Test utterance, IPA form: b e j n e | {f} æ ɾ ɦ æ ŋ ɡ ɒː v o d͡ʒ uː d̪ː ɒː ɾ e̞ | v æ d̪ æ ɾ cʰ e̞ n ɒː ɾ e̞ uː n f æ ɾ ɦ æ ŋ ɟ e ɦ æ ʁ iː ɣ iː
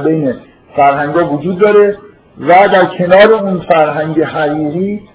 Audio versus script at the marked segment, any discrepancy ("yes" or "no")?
no